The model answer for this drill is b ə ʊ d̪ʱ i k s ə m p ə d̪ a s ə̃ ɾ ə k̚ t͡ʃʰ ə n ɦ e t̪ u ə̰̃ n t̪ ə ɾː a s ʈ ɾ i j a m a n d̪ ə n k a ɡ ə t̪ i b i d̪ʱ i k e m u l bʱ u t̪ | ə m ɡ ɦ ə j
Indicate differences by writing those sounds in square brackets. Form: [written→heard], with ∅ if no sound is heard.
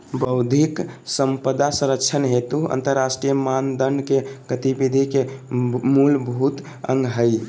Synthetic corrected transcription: b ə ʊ d̪ʱ i k s ə m p ə d̪ a s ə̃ ɾ ə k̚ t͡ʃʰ ə n ɦ e t̪ u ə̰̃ n t̪ ə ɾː a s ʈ ɾ i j [a→ə] m a n d̪ ə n k [a→e] ɡ ə t̪ i b i d̪ʱ i k e m u l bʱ u t̪ | ə [m→ŋ] ɡ ɦ ə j